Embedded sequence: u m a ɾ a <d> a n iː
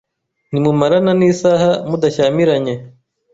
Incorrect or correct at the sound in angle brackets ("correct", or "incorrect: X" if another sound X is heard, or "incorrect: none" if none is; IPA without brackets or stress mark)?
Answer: incorrect: n